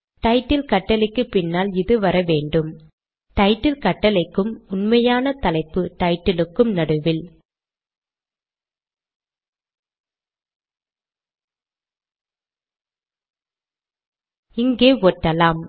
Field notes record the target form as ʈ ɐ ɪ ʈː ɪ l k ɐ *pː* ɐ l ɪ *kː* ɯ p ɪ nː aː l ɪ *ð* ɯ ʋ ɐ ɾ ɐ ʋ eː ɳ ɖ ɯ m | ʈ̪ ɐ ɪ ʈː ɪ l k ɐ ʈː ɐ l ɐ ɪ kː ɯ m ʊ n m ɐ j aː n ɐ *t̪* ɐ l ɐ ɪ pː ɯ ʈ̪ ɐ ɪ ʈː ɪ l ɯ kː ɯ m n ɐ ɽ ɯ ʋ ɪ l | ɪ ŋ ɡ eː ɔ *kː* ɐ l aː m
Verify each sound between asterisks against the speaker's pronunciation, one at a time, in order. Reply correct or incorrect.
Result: incorrect, correct, correct, correct, incorrect

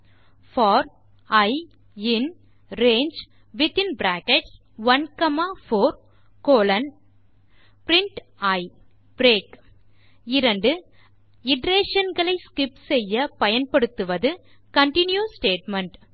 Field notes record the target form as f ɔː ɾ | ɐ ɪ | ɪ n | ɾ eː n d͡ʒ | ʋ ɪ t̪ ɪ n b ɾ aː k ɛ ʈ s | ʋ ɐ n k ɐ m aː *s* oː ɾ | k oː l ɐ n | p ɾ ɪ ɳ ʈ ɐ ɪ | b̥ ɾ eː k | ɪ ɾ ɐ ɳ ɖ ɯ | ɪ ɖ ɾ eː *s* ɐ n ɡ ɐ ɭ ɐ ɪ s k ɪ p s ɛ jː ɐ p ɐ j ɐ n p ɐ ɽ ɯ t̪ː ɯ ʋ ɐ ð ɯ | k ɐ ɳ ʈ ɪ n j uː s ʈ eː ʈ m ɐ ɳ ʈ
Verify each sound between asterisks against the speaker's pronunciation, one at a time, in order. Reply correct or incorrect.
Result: incorrect, incorrect

